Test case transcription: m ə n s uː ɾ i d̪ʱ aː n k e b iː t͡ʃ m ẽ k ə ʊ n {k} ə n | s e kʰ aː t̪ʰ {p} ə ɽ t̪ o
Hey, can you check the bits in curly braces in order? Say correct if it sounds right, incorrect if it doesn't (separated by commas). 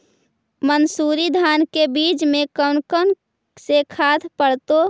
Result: correct, correct